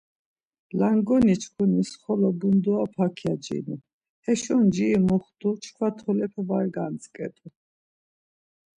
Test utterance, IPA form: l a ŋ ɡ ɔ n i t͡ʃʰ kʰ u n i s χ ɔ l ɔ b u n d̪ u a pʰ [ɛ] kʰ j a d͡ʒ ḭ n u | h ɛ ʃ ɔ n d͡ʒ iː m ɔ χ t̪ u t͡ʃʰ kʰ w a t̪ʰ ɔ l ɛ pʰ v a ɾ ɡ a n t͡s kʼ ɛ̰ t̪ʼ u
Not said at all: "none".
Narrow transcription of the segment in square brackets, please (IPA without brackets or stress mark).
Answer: a